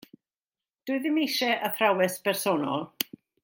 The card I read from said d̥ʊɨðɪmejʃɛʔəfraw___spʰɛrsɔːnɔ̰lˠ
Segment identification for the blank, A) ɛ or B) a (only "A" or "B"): A